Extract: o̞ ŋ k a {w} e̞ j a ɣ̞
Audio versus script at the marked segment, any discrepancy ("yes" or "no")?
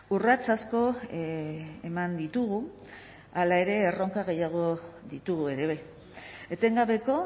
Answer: yes